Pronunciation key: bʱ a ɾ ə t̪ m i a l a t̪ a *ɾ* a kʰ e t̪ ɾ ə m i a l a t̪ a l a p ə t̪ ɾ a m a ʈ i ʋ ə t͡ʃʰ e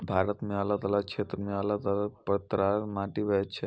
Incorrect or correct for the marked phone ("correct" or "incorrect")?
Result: incorrect